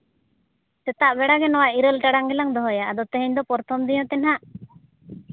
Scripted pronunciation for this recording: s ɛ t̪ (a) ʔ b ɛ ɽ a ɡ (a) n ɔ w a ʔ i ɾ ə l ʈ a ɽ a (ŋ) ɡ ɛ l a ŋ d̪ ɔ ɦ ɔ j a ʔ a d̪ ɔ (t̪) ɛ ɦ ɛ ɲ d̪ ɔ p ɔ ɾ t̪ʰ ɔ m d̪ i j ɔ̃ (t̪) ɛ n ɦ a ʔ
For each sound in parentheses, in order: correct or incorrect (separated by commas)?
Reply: correct, incorrect, correct, correct, correct